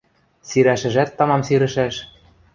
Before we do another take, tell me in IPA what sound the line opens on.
s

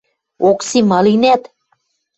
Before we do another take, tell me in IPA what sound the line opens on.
o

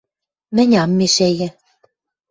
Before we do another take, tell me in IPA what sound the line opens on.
m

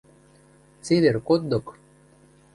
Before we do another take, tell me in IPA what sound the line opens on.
t͡s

